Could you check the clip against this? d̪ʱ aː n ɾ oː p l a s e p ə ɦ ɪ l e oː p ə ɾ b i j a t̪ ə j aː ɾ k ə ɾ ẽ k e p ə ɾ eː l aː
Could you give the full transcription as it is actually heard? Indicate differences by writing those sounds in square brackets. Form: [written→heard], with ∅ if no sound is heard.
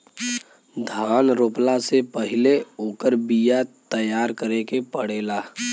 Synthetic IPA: d̪ʱ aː n ɾ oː p l a s e p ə ɦ ɪ l e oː [p→k] ə ɾ b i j a t̪ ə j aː ɾ k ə ɾ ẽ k e p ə [ɾ→ɽ] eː l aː